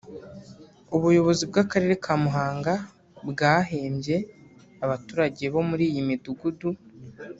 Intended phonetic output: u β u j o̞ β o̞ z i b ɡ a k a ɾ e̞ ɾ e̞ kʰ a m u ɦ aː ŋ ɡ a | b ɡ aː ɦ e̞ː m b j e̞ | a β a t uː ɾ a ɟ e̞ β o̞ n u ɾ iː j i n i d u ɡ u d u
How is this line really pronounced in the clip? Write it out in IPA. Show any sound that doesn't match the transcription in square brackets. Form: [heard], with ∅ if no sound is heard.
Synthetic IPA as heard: u β u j o̞ β o̞ z i b ɡ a k a ɾ e̞ ɾ e̞ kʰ a m u ɦ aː ŋ ɡ a | b ɡ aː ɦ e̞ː m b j e̞ | a β a t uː ɾ a ɟ e̞ β o̞ [m] u ɾ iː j i [m] i d u ɡ u d u